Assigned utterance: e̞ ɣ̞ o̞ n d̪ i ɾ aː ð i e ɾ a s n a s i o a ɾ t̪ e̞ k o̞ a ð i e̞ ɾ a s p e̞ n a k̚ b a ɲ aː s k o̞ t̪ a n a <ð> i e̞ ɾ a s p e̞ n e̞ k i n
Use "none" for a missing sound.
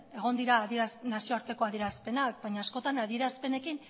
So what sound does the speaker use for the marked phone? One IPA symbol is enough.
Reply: ð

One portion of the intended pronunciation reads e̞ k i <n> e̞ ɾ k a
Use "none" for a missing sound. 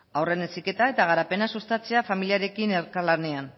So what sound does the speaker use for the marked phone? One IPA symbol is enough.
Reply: n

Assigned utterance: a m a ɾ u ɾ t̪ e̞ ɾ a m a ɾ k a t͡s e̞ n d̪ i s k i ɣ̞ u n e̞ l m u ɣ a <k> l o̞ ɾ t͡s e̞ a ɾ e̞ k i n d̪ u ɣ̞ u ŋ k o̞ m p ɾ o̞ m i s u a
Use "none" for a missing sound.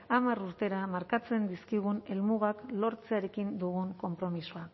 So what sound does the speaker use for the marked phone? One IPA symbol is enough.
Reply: k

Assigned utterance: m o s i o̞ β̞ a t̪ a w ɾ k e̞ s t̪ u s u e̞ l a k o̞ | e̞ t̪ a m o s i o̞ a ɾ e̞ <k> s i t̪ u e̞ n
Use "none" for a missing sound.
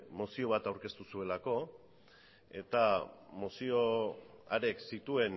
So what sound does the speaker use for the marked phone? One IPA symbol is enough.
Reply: k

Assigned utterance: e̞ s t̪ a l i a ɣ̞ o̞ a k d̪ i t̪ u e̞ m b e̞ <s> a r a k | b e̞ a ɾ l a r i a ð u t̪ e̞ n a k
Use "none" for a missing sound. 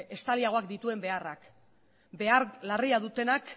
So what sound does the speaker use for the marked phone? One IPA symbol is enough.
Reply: none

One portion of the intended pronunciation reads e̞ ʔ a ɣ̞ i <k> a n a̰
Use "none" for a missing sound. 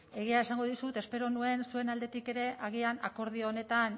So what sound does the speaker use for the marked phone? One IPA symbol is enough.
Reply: none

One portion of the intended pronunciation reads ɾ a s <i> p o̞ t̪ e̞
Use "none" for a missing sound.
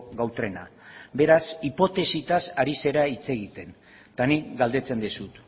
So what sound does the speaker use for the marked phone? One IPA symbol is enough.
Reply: i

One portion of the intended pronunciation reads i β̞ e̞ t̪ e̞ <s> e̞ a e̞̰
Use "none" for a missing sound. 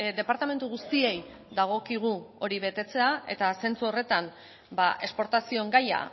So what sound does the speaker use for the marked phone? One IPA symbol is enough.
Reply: t͡s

